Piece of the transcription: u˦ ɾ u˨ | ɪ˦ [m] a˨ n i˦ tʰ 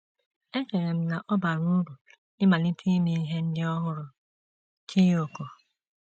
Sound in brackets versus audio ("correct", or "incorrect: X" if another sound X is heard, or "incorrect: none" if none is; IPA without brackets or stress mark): correct